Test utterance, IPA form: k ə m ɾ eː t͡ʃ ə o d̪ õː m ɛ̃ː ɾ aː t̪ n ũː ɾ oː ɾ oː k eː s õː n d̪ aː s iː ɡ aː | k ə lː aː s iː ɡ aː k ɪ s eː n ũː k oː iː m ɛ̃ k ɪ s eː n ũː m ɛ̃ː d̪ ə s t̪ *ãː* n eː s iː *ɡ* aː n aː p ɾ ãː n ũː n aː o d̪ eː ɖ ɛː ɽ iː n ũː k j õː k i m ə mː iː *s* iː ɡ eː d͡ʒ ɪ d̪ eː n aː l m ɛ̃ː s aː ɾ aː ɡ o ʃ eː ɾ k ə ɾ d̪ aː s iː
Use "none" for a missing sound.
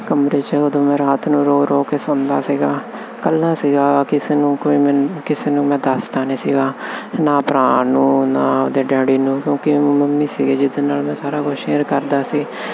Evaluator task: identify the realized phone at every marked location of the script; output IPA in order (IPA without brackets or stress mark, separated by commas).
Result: aː, ɡ, s